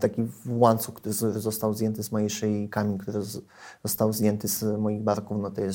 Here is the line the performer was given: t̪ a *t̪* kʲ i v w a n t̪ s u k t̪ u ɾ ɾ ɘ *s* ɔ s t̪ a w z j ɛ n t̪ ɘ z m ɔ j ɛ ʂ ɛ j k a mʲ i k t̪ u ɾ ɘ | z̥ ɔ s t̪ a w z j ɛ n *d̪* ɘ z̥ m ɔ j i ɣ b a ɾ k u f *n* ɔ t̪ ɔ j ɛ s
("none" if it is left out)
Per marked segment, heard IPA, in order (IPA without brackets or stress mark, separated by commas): none, z, t̪, n